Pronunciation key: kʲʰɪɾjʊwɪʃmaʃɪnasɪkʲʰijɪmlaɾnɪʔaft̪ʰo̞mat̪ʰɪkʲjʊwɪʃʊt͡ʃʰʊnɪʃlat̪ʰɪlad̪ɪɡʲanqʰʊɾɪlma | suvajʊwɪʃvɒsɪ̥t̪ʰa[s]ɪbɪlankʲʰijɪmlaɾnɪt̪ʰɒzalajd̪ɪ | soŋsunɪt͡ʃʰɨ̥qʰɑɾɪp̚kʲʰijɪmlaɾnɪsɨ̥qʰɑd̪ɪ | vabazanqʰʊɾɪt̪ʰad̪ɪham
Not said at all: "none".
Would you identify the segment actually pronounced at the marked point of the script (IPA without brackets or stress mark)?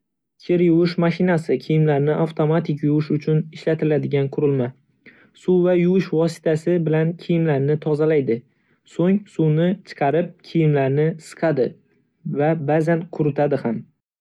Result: s